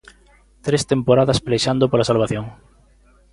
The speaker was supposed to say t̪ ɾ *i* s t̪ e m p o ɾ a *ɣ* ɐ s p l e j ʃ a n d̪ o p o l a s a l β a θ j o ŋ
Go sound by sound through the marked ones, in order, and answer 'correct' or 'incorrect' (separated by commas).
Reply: incorrect, incorrect